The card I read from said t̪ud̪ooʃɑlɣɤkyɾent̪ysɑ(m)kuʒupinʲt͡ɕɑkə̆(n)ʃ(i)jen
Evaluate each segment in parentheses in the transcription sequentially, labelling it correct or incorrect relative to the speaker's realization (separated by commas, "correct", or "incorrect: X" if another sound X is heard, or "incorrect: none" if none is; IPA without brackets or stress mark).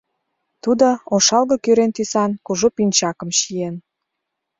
incorrect: n, incorrect: m, correct